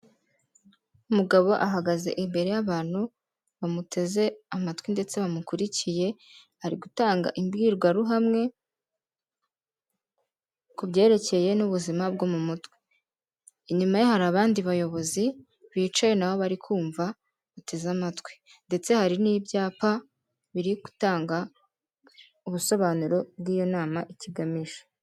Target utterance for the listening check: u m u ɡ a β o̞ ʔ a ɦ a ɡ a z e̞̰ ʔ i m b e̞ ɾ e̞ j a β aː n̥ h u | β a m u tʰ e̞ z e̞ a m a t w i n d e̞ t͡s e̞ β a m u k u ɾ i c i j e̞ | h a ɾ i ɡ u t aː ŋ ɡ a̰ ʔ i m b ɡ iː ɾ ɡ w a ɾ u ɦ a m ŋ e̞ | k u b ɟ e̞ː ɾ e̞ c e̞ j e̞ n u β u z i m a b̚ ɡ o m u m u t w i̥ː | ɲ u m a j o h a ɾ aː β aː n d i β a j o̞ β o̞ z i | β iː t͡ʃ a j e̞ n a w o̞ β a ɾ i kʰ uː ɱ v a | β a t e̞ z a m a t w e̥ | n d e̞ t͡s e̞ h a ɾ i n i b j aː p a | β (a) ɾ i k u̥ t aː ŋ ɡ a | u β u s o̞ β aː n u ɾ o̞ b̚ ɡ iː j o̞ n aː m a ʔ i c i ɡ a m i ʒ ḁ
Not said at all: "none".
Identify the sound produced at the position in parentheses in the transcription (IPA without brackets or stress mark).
i